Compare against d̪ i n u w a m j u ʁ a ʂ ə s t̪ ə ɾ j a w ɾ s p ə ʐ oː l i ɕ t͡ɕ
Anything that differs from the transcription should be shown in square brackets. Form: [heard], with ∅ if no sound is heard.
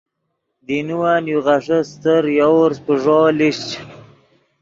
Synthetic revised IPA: d̪ i n u w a [n] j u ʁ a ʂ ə s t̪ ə ɾ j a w ɾ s p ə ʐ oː l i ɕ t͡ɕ